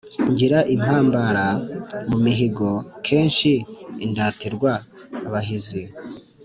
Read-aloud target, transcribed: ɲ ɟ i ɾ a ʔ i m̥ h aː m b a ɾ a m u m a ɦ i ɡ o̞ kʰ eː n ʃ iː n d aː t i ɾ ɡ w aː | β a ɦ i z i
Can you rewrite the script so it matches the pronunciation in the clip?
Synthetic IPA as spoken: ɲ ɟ i ɾ a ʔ i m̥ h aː m b a ɾ a m u m i ɦ i ɡ o̞ kʰ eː n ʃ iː n d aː t i ɾ ɡ w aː | β a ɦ i z i